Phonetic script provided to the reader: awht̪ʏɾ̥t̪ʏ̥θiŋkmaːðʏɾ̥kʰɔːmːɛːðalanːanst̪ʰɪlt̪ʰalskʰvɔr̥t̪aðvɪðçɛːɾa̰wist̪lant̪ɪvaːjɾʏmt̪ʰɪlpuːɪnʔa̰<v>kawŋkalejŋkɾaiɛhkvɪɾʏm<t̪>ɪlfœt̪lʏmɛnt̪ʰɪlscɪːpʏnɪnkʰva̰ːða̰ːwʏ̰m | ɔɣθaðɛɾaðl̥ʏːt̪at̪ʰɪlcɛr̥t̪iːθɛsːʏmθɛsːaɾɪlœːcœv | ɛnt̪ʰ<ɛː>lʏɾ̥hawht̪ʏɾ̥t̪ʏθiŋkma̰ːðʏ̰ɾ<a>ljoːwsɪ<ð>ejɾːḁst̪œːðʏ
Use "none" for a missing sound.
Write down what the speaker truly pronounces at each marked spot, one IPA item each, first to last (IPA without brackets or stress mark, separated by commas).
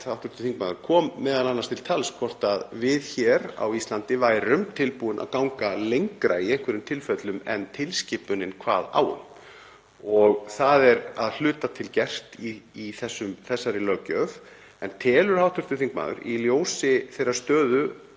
ð, t̪ʰ, ɛː, i, θ